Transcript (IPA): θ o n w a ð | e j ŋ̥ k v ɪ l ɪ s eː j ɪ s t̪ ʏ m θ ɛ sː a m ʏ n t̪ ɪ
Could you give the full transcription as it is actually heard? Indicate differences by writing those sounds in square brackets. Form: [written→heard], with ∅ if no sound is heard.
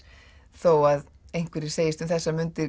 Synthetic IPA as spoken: θ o [n→∅] w a ð | e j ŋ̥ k v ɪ [l→ɾ] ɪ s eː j ɪ s t̪ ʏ m θ ɛ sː a m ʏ n t̪ ɪ